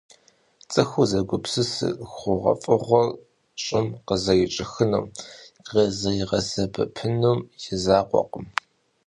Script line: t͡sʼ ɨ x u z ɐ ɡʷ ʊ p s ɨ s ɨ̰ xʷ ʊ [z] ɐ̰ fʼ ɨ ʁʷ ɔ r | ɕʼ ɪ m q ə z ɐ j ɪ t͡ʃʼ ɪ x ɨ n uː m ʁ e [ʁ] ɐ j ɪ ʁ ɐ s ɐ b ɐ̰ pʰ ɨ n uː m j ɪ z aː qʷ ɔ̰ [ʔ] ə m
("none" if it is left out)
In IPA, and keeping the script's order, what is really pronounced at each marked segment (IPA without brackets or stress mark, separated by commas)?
ʁ, z, q